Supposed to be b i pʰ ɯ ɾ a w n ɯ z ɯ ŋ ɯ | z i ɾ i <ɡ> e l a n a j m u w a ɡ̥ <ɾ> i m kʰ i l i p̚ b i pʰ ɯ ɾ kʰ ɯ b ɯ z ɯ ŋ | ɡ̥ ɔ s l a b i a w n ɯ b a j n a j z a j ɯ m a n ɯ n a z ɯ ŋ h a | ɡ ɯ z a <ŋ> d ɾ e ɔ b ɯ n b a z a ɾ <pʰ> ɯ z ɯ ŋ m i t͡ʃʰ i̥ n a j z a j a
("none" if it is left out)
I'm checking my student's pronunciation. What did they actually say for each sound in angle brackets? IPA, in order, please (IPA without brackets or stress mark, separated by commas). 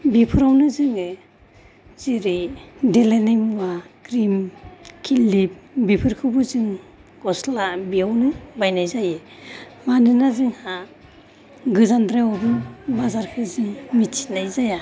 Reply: d, ɾ, n, kʰ